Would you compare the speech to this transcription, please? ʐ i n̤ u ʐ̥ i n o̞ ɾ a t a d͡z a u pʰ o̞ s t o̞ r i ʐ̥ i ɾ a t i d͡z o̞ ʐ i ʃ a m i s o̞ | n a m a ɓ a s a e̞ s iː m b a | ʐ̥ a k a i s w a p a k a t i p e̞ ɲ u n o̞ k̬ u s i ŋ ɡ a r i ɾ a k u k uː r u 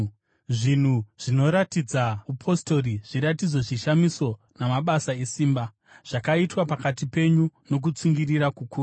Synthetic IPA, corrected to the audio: ʐ i n̤ u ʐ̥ i n o̞ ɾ a t i d͡z a u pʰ o̞ s t o̞ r i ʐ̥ i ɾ a t i d͡z o̞ ʐ i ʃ a m i s o̞ | n a m a ɓ a s a e̞ s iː m b a | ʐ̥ a k a i t w a p a k a t i p e̞ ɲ u n o̞ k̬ u t͡s i ŋ ɡ i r i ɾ a k u k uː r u